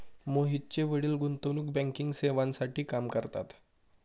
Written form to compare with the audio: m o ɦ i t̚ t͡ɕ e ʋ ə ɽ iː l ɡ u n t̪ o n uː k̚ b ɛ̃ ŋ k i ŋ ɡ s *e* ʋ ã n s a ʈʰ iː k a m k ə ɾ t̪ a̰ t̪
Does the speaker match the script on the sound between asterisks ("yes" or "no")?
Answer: yes